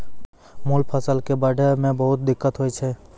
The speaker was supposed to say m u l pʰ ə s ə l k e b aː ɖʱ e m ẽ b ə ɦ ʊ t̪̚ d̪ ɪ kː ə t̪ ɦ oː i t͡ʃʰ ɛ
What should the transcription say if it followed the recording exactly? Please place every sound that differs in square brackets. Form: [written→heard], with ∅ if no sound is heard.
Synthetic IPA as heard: m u l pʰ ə s ə l k e b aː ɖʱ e m ẽ b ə ɦ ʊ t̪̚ d̪ ɪ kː ə t̪ ɦ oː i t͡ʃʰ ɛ